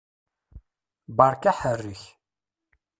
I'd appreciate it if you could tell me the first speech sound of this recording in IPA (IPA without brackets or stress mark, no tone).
b